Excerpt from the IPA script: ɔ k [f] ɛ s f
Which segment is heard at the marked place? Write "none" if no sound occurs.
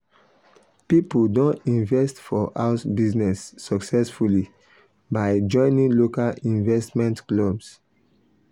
s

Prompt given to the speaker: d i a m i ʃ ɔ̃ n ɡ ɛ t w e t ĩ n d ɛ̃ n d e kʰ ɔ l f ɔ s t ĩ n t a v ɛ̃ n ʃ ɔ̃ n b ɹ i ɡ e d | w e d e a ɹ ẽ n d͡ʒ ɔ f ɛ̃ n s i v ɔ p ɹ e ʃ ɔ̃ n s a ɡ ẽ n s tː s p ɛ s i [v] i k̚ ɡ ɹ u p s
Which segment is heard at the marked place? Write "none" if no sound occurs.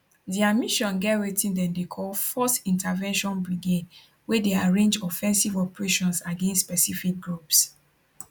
f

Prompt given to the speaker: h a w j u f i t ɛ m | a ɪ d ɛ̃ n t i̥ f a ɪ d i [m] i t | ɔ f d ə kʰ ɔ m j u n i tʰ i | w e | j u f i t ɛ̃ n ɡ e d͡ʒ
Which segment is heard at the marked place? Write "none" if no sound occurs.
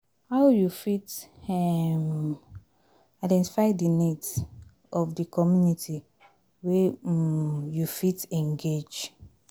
n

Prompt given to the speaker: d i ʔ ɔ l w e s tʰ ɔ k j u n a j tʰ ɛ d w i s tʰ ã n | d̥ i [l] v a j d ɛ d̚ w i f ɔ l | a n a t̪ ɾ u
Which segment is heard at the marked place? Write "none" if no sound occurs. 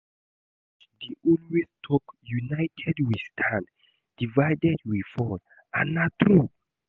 none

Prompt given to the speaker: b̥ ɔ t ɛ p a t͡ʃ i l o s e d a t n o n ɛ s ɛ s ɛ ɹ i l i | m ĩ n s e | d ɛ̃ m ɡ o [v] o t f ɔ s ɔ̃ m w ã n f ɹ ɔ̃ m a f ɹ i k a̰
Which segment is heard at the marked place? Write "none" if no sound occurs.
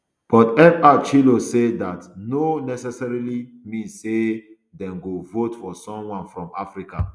v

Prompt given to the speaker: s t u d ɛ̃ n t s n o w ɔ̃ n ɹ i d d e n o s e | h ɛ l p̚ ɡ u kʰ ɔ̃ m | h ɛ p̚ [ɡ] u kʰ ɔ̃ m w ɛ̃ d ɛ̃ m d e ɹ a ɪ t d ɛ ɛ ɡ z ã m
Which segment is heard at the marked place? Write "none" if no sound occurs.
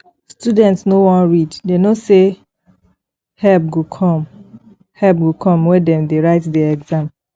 ɡ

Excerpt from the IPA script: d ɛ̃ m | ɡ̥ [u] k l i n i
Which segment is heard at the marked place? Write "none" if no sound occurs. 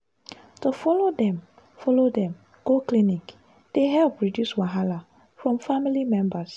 o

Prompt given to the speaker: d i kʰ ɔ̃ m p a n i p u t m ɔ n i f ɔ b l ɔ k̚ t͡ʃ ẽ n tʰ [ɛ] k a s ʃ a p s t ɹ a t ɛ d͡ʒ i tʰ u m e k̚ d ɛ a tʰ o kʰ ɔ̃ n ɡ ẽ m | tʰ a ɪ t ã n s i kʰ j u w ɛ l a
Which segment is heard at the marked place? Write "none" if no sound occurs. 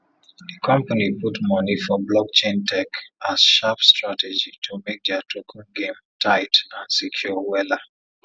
ɛ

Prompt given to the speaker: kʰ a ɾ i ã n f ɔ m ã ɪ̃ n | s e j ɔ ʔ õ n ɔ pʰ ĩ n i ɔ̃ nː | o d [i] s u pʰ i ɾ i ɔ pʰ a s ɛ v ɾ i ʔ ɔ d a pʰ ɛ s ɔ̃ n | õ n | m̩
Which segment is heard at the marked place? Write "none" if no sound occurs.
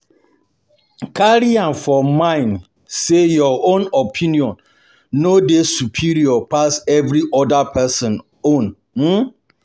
e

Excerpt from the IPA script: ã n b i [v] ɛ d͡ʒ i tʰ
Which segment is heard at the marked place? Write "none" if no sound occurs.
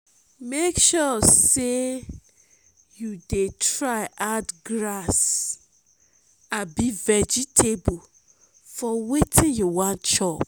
v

